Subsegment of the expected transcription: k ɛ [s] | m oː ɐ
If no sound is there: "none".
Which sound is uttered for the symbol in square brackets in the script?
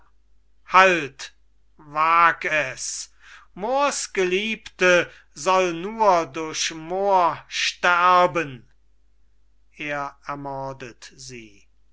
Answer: s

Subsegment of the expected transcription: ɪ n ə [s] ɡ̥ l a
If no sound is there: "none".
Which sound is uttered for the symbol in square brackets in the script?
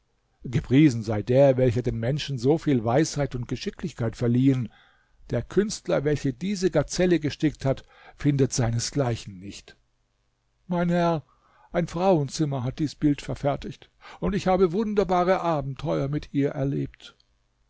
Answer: s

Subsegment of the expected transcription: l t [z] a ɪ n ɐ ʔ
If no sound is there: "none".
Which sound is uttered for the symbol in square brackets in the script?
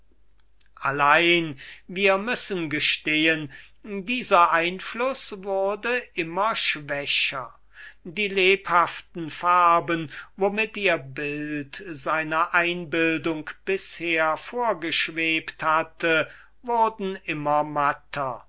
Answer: z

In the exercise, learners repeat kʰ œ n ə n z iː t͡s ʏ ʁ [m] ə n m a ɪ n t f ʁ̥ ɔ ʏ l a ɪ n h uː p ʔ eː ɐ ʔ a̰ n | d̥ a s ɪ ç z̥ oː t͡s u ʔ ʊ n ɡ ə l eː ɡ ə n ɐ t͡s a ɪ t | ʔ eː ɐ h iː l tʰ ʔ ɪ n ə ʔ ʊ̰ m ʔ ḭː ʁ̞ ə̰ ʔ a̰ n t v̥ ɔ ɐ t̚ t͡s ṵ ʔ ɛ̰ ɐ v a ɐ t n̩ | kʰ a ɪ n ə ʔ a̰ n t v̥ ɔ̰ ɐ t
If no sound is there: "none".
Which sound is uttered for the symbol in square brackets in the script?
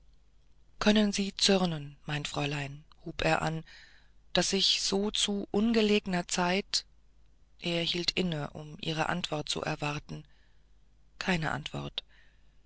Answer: n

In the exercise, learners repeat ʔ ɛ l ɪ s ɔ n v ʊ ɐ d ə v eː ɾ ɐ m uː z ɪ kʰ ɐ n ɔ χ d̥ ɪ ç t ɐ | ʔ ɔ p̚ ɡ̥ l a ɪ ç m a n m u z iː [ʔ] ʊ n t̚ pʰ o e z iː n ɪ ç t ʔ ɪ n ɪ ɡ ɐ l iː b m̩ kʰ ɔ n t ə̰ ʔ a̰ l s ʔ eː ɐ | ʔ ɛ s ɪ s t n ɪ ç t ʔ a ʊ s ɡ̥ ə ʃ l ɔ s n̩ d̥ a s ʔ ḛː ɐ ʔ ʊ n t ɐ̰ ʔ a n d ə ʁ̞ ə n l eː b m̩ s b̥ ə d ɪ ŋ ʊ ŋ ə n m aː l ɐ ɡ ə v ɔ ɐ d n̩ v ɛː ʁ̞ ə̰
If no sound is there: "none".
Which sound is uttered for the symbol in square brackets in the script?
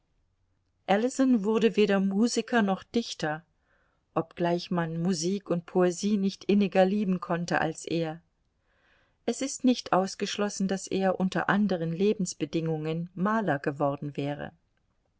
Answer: k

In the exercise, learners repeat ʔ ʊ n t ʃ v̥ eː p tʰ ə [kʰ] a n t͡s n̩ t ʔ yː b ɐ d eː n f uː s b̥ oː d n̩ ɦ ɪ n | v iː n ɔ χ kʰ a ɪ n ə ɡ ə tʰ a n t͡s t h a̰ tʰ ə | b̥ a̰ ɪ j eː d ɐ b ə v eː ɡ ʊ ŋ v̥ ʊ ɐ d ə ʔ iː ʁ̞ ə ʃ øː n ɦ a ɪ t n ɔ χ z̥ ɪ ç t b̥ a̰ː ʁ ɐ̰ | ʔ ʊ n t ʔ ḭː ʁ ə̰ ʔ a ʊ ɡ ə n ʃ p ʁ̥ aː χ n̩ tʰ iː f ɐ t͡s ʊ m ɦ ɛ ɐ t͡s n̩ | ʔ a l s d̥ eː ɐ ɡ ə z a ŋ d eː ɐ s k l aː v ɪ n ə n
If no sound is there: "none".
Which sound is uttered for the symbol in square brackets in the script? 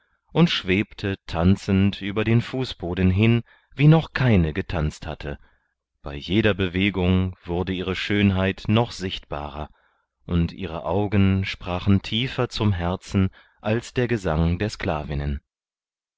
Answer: tʰ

